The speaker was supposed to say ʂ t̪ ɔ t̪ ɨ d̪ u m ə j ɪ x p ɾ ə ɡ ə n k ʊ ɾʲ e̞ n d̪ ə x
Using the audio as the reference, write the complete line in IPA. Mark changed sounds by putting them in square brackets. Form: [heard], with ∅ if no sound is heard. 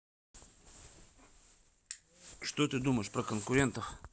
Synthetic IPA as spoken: ʂ t̪ [o] t̪ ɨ d̪ u m ə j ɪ [ʂ] p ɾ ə [k] ə n k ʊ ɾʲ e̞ n [t̪] ə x